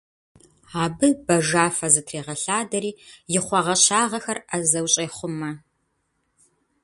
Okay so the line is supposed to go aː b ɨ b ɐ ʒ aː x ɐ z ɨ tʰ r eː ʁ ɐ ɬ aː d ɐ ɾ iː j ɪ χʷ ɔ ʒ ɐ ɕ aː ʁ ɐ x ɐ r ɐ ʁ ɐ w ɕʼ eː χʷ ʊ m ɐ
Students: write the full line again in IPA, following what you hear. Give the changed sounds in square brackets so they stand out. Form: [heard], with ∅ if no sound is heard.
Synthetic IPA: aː b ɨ b ɐ ʒ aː [f] ɐ z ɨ tʰ r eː ʁ ɐ ɬ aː d ɐ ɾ iː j ɪ χʷ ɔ [ʁ] ɐ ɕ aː ʁ ɐ x ɐ r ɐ [z] ɐ w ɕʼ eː χʷ ʊ m ɐ